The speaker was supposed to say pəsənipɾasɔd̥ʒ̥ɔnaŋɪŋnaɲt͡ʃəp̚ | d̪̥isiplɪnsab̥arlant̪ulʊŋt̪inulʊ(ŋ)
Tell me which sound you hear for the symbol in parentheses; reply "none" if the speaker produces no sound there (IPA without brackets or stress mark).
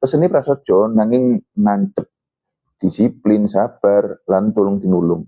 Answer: ŋ